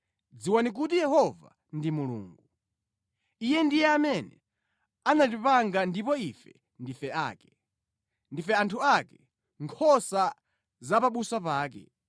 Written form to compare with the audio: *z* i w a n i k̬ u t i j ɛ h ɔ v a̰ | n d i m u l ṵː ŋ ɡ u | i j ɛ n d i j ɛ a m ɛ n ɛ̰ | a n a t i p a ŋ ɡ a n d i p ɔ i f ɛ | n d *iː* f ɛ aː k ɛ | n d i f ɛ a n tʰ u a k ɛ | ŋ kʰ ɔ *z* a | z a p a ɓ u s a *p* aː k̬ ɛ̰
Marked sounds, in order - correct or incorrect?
incorrect: d͡z, incorrect: i, incorrect: s, correct

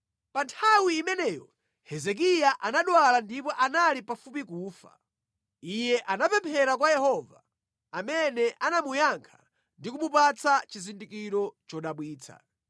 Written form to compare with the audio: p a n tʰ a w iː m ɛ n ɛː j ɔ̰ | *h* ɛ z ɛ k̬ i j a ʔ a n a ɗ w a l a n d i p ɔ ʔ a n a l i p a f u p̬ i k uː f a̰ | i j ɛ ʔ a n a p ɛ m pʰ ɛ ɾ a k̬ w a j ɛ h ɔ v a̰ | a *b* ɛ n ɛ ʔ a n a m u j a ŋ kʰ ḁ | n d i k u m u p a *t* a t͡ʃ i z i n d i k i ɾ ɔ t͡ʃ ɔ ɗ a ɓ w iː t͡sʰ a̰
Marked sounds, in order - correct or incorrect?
correct, incorrect: m, incorrect: t͡s

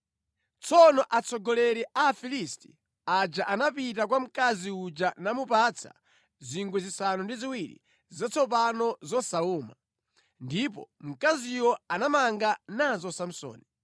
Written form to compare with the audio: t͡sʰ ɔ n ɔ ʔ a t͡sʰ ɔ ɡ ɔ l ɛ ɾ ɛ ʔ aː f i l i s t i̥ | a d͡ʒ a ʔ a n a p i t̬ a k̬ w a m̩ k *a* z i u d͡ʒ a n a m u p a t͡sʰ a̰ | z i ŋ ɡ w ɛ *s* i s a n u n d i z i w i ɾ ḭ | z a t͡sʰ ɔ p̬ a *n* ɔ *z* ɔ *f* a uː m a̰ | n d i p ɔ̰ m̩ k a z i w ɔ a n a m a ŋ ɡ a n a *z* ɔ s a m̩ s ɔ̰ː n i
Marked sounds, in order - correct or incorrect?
correct, incorrect: z, correct, correct, incorrect: s, correct

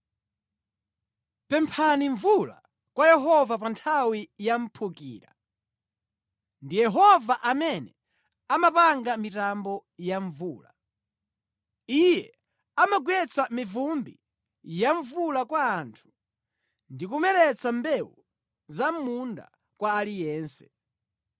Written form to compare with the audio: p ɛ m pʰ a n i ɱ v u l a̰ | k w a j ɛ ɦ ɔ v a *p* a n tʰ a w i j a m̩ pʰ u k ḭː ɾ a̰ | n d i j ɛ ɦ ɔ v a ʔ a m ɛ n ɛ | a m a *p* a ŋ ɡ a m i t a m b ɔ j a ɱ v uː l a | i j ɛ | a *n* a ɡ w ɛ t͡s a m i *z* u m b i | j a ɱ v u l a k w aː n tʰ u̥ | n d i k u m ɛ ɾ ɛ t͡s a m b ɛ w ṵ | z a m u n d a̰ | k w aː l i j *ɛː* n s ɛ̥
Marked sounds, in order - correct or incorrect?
correct, correct, incorrect: m, incorrect: v, correct

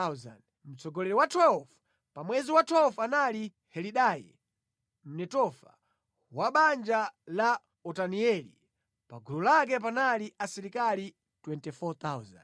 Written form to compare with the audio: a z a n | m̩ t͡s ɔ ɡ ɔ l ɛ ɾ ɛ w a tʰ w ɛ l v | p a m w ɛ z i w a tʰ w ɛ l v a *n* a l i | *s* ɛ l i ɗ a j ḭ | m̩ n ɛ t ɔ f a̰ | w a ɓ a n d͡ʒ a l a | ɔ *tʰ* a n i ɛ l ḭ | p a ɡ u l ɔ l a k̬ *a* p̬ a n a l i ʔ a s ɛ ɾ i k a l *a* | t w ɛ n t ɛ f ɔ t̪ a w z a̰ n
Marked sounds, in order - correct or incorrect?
correct, incorrect: h, incorrect: t, incorrect: ɛ, incorrect: i

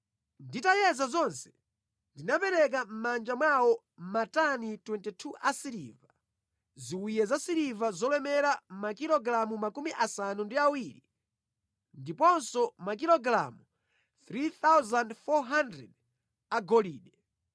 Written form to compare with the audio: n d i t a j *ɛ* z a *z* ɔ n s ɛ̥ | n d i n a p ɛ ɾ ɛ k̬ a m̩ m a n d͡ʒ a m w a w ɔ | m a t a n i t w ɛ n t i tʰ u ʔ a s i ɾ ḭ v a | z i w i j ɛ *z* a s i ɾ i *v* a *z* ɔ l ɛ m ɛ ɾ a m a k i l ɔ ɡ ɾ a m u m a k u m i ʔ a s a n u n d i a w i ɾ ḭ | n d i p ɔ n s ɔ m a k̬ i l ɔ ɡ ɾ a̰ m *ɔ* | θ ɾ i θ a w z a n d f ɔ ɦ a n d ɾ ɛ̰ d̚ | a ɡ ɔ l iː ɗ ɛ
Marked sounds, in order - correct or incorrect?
correct, correct, correct, correct, correct, incorrect: u

